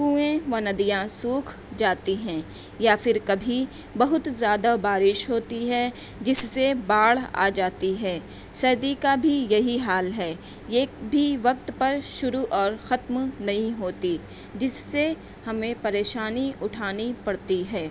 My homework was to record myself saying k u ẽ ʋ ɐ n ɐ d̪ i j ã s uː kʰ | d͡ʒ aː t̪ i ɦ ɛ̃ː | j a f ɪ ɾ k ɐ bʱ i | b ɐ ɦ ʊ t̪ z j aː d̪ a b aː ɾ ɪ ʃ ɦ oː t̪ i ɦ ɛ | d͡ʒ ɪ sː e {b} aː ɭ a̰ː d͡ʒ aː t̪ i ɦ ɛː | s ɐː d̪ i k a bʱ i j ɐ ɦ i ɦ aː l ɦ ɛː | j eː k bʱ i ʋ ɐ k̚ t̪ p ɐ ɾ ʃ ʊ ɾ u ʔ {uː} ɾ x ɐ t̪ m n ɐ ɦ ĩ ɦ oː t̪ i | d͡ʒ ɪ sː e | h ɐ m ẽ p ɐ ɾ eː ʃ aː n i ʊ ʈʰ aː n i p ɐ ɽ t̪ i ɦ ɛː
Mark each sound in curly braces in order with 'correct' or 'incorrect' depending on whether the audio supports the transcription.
correct, incorrect: ɔː

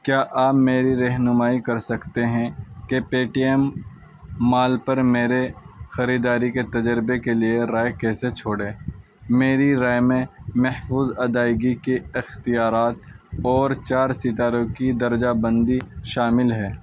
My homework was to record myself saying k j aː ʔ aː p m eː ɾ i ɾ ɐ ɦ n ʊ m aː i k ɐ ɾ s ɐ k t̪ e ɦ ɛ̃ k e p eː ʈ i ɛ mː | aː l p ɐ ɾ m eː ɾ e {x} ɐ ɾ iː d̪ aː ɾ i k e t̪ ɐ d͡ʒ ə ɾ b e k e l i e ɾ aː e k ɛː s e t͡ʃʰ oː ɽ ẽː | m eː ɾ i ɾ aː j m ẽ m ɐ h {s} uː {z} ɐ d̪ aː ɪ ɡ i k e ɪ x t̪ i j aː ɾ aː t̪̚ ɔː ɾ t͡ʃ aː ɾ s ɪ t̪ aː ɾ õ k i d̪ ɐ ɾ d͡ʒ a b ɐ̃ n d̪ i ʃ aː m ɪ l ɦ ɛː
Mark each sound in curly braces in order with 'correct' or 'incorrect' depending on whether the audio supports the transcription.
correct, incorrect: f, correct

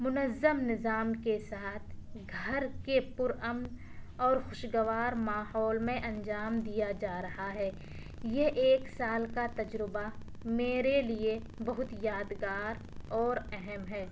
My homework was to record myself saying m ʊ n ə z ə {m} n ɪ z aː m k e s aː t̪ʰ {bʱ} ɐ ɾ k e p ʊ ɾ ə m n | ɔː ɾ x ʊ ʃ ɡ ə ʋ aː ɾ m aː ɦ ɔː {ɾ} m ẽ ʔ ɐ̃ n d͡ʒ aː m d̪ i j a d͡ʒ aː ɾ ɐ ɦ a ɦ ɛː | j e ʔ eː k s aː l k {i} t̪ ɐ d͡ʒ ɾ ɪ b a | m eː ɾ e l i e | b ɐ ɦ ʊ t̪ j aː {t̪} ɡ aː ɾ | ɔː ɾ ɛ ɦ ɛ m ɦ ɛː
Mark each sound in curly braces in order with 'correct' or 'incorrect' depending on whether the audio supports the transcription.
correct, incorrect: ɡʱ, incorrect: l, incorrect: a, incorrect: d̪

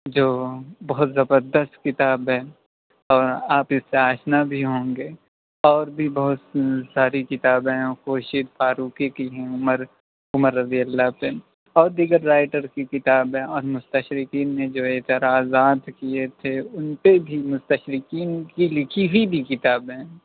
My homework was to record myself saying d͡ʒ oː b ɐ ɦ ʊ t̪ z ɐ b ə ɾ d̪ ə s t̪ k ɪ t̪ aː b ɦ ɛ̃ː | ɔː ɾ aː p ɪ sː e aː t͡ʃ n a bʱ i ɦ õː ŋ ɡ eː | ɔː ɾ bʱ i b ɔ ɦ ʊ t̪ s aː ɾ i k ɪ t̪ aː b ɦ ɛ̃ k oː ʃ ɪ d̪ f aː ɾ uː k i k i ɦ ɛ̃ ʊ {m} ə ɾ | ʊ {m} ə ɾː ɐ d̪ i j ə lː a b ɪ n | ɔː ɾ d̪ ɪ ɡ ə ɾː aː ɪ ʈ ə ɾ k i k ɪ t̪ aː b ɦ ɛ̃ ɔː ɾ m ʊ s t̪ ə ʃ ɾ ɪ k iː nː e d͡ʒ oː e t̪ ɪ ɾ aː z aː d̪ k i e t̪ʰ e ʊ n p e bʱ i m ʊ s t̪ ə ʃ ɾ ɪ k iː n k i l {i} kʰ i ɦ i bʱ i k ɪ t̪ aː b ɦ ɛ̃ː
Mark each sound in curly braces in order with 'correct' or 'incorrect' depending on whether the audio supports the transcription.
correct, correct, incorrect: ɪ

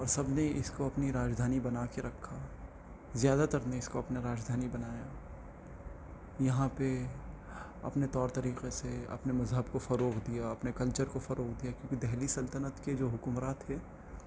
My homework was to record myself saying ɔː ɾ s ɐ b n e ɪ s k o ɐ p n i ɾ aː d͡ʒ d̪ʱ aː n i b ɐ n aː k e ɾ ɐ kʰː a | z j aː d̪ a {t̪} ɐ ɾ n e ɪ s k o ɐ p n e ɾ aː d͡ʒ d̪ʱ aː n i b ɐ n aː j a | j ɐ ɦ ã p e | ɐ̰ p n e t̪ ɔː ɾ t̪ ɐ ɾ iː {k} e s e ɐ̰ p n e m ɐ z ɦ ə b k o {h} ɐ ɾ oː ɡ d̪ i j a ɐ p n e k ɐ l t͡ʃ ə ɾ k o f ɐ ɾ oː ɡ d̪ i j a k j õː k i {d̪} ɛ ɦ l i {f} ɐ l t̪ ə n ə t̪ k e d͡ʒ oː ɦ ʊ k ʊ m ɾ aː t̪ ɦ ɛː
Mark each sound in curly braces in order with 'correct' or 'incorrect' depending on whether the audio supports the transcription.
correct, incorrect: q, incorrect: f, correct, incorrect: s

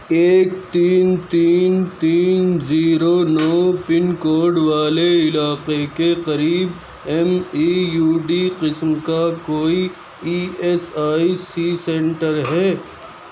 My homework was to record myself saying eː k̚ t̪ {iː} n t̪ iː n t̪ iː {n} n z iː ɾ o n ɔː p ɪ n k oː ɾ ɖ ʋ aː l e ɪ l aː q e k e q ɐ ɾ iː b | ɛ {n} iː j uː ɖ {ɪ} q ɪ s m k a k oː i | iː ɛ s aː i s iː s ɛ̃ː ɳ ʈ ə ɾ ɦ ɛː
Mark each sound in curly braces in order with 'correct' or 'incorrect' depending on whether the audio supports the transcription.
correct, correct, incorrect: m, incorrect: i

